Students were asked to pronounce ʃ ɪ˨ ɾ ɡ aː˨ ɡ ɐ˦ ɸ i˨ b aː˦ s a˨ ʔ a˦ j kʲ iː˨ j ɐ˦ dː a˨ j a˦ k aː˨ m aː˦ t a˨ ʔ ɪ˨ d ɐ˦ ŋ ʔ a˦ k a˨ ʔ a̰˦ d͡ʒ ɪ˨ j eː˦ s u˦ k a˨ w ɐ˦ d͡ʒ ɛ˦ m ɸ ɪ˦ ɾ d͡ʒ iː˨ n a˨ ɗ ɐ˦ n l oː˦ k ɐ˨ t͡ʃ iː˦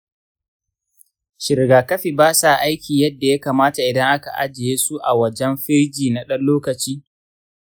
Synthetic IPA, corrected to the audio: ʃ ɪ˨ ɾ ɡ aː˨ k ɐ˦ ɸ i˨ b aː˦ s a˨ ʔ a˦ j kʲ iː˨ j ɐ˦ dː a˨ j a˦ k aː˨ m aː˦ t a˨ ʔ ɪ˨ d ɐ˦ ŋ ʔ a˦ k a˨ ʔ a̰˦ d͡ʒ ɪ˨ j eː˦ s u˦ ʔ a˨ w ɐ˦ d͡ʒ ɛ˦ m ɸ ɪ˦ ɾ d͡ʒ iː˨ n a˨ ɗ ɐ˦ n l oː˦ k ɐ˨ t͡ʃ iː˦

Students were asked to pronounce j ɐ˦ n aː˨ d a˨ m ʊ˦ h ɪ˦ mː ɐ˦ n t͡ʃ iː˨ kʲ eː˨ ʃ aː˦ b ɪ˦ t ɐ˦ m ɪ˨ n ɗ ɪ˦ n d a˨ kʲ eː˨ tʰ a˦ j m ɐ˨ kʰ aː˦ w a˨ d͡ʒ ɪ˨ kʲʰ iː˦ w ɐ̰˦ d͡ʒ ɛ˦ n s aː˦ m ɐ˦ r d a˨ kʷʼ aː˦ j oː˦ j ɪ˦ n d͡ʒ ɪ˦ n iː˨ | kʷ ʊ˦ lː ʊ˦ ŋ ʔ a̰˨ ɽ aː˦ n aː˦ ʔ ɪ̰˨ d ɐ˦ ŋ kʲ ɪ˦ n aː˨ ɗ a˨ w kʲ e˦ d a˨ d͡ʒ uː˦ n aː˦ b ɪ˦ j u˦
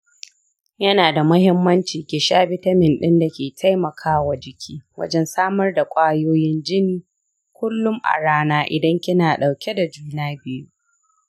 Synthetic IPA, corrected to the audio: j ɐ˦ n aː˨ d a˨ m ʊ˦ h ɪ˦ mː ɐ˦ n t͡ʃ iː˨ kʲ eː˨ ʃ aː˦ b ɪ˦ t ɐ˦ m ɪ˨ n ɗ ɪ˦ n d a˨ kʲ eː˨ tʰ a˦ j m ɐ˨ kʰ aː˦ w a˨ d͡ʒ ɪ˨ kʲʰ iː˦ w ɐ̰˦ d͡ʒ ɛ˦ n s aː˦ m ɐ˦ r d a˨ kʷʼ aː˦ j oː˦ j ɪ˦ n d͡ʒ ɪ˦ n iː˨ | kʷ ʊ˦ lː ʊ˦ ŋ ʔ a̰˨ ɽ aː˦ n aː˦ ʔ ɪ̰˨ d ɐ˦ ŋ kʲ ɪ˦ n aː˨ ɗ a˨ w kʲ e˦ d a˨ d͡ʒ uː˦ n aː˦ b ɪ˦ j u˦

